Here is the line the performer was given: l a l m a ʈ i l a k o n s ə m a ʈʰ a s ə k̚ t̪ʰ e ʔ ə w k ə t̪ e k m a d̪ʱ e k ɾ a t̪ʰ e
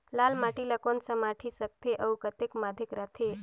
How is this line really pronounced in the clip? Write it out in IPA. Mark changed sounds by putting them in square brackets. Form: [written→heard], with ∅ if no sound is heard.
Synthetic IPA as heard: l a l m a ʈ i l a k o n s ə m a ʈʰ [a→i] s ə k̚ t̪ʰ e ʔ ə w k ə t̪ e k m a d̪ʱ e k ɾ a t̪ʰ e